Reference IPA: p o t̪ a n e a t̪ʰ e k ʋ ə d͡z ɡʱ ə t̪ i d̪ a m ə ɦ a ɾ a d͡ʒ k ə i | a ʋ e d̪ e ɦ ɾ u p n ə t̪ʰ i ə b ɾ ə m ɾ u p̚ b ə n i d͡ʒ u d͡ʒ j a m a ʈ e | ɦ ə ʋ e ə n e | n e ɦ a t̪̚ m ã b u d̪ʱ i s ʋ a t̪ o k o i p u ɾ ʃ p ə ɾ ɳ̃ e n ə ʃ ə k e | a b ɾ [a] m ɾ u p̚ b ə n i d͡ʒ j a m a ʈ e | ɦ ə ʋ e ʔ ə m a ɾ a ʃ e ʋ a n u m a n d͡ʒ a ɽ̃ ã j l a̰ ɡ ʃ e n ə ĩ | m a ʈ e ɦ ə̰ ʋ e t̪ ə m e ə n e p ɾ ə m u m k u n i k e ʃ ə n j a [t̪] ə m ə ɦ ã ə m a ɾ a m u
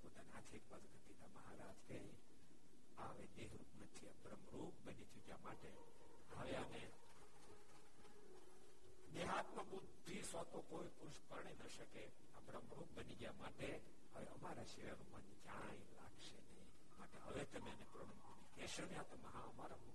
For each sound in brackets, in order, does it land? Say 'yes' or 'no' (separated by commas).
no, yes